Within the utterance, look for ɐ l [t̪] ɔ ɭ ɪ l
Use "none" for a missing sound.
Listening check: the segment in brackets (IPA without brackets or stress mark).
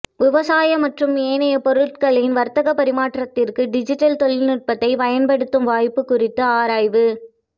t̪